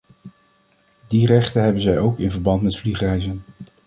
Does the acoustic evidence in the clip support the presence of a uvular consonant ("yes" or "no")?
yes